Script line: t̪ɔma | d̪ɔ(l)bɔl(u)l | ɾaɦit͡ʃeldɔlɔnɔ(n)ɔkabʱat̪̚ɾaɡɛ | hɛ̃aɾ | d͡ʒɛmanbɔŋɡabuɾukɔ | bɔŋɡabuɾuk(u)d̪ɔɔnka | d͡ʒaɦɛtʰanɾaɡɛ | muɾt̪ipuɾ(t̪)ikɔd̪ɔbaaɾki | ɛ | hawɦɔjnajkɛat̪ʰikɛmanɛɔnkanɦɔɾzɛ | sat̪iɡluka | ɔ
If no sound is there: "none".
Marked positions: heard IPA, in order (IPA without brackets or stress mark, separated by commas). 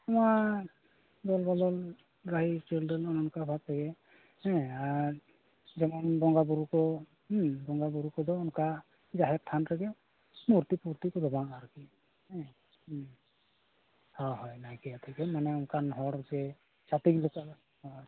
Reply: l, ɔ, n, ɔ, t̪